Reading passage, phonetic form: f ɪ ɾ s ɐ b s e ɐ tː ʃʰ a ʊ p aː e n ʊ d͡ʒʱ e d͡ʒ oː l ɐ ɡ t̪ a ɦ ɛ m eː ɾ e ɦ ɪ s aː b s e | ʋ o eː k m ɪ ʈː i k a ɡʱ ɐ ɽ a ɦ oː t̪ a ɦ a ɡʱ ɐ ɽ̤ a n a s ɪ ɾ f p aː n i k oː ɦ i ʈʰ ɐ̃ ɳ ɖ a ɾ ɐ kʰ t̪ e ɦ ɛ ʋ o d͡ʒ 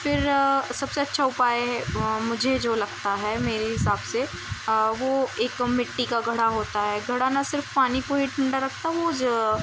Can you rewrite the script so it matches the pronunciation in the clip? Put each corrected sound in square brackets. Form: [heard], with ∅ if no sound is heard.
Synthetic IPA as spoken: f ɪ ɾ s ɐ b s e ɐ tː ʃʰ a ʊ p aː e [m] ʊ d͡ʒʱ e d͡ʒ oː l ɐ ɡ t̪ a ɦ ɛ m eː ɾ e ɦ ɪ s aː b s e | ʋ o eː k m ɪ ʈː i k a ɡʱ ɐ ɽ a ɦ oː t̪ a ɦ [ɛ] ɡʱ ɐ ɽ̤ a n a s ɪ ɾ f p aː n i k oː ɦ i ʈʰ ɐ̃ ɳ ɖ a ɾ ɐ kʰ t̪ [a] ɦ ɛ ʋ o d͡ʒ